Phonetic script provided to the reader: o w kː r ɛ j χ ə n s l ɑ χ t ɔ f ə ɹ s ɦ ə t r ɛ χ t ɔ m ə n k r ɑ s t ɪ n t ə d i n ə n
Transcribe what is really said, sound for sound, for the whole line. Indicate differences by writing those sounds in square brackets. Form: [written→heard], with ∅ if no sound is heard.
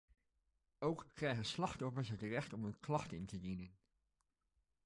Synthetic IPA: o w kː r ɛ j χ ə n s l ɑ χ t ɔ f ə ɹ s ɦ ə t r ɛ χ t ɔ m ə n k [r→l] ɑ [s→χ] t ɪ n t ə d i n ə n